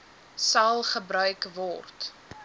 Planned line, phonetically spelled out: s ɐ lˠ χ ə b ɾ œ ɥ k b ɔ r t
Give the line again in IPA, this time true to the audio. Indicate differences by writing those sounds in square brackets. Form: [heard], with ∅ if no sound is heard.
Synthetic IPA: s ɐ lˠ χ ə b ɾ œ ɥ k [v] ɔ r t

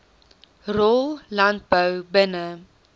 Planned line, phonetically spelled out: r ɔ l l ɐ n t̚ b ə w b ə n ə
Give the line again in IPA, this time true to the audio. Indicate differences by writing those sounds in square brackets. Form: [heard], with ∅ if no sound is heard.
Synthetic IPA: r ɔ l l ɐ n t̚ b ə w b ə n ə

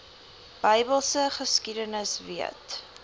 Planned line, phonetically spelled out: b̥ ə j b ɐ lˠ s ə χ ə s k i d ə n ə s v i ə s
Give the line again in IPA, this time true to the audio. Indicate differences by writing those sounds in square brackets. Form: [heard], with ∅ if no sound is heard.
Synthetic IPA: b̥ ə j b [ə] lˠ s ə χ ə s k i d ə n ə s v i ə [t]

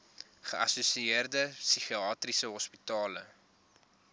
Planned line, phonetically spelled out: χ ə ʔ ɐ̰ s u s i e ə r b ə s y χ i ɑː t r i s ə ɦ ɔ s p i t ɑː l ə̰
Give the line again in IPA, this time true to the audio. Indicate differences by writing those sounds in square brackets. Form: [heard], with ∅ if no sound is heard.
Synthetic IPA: χ ə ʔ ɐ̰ s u s i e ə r [d] ə s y χ i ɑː t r i s ə ɦ ɔ s p i t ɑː l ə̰

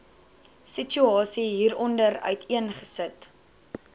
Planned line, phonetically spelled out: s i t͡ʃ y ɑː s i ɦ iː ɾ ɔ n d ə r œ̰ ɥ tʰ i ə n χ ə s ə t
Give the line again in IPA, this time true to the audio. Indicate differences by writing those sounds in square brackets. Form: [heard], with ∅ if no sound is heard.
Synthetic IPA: s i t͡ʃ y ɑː s i ɦ iː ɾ ɔ n d ə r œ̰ ɥ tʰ i ə n χ ə s ə t

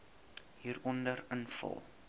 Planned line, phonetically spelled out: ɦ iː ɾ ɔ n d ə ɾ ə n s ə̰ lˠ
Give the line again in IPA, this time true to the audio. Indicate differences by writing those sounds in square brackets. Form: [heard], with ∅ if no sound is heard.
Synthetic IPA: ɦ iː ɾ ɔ n d ə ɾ ə n [f] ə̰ lˠ

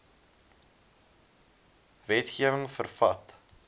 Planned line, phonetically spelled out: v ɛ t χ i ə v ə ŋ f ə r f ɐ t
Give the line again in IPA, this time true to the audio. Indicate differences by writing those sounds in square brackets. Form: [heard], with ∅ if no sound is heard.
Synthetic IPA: v ɛ t χ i ə v ə ŋ f ə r f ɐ t

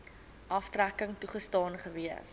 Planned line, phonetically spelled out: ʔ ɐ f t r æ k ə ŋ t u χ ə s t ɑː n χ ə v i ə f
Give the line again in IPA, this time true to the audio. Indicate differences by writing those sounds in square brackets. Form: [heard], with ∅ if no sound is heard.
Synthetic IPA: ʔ ɐ f t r æ k ə ŋ t u χ ə s t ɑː n χ ə v i ə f

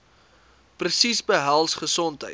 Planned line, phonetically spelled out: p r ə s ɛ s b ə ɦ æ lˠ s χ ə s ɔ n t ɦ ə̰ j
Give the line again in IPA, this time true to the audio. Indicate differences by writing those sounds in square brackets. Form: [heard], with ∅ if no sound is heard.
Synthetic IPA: p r ə s [i] s b ə ɦ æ lˠ s χ ə s ɔ n t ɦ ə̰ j

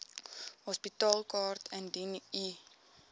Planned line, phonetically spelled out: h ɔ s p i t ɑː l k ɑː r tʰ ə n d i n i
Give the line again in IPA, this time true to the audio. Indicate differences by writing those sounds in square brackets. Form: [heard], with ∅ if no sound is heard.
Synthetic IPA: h ɔ s p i t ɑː l k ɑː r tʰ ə n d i n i

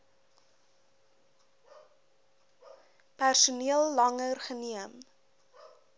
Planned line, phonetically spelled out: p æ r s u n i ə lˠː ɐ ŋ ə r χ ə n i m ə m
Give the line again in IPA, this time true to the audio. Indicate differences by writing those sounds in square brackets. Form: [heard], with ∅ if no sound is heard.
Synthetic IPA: p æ r s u n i ə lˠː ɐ ŋ ə r χ ə n i [∅] ə m

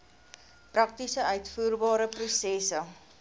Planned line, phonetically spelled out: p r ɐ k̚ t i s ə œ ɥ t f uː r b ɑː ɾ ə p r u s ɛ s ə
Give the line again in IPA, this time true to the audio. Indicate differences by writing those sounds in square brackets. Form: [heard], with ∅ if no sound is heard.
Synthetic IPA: p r ɐ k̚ t i s ə œ ɥ t f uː r b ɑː ɾ ə p r u s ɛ s ə

